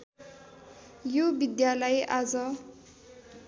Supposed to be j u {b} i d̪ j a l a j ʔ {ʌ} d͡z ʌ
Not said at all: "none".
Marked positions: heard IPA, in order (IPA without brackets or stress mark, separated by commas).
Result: b, a